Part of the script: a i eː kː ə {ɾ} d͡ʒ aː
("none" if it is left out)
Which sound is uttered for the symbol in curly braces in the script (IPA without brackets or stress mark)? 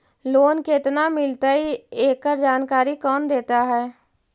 ɾ